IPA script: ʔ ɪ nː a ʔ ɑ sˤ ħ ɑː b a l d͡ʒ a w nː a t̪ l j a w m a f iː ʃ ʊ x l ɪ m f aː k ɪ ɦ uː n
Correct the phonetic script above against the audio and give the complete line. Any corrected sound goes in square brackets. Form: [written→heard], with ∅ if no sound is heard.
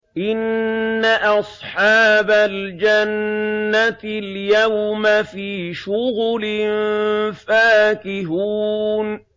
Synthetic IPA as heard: ʔ ɪ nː a ʔ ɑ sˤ ħ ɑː b a l d͡ʒ a [w→∅] nː a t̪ l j a w m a f iː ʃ ʊ [x→ɣ] l ɪ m f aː k ɪ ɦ uː n